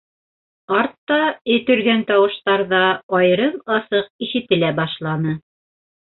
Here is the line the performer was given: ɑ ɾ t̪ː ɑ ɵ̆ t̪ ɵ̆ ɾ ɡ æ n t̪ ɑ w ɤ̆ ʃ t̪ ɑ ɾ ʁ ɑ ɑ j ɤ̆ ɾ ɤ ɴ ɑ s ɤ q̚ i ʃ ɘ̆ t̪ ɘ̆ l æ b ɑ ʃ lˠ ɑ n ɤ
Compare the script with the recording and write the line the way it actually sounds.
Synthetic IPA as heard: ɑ ɾ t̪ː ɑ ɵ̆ t̪ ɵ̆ ɾ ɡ æ n t̪ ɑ w ɤ̆ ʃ t̪ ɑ ɾ ð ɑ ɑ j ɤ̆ ɾ ɤ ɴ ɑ s ɤ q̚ i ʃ ɘ̆ t̪ ɘ̆ l æ b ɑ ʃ lˠ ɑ n ɤ